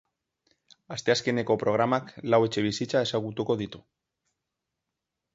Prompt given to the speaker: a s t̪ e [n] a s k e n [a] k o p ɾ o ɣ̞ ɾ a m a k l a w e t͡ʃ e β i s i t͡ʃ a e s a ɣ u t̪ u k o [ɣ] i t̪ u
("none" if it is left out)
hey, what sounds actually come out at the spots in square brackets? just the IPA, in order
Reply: none, e, ð

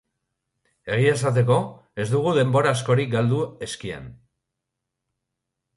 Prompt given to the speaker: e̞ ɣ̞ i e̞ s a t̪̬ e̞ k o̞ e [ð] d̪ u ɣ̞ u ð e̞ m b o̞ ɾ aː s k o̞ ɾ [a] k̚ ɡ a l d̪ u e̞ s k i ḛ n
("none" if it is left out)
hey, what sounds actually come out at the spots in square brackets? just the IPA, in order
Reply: z, i

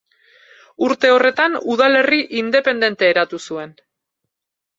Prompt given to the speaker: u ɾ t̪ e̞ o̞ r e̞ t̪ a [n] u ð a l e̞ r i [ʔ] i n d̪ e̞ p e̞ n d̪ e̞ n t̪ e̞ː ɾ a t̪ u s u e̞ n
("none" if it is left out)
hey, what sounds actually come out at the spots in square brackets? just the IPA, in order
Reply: n, ʔ

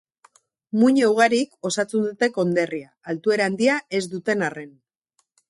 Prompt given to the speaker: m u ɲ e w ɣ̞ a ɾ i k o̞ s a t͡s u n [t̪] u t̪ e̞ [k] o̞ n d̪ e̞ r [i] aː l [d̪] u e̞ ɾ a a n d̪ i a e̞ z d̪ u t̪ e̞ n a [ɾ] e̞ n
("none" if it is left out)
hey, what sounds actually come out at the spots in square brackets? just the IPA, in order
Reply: d̪, k, i, t̪, r

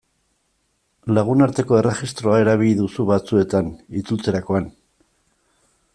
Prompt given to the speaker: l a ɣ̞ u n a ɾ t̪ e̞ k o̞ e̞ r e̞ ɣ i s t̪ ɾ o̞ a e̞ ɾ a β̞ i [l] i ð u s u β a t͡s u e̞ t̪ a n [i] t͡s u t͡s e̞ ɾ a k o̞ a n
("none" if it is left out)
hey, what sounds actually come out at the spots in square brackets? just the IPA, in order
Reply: ʎ, i

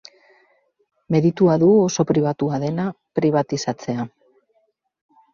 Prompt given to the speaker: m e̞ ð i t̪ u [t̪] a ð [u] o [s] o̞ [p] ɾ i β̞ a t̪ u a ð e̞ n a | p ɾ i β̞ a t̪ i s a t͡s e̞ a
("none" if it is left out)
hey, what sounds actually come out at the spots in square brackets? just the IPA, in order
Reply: none, u, s, p

